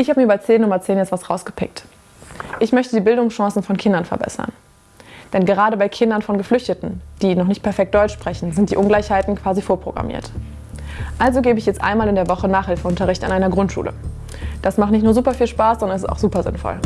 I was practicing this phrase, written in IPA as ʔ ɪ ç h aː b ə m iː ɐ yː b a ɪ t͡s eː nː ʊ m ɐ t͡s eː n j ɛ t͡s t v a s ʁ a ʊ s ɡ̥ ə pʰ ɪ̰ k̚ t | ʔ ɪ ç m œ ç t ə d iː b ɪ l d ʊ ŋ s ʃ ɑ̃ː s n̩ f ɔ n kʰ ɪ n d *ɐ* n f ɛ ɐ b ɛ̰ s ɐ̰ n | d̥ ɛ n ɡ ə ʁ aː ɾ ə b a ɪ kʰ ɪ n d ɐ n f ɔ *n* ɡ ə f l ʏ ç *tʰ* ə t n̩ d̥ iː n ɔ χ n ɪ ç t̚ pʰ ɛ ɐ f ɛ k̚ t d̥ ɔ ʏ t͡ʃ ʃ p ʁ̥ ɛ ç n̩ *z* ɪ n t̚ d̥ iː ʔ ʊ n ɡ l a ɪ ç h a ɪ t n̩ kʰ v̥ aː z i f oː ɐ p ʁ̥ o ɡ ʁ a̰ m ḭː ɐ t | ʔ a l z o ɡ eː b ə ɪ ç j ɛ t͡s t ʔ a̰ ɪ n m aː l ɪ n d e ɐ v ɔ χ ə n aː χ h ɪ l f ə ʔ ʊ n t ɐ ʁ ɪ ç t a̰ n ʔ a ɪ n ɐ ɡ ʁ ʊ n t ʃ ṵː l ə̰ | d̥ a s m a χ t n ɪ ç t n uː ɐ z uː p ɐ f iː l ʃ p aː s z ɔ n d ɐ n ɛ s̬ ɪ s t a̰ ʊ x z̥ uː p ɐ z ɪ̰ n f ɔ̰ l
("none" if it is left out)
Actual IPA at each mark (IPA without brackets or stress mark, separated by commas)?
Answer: ɐ, n, t, z